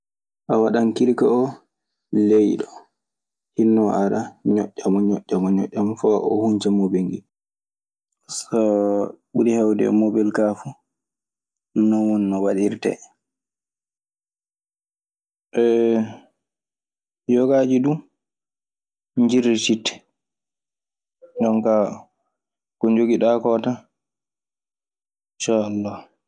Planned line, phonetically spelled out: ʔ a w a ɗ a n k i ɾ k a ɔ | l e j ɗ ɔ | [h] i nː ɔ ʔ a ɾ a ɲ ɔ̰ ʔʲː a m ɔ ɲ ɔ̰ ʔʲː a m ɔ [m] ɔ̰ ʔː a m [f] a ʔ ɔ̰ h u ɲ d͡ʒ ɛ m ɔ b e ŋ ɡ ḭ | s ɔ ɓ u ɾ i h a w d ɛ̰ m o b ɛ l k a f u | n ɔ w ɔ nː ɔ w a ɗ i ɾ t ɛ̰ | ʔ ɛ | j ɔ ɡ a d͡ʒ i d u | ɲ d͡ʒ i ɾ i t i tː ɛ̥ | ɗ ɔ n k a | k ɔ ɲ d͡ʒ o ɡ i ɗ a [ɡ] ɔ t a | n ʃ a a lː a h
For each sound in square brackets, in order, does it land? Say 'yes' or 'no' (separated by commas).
yes, no, yes, no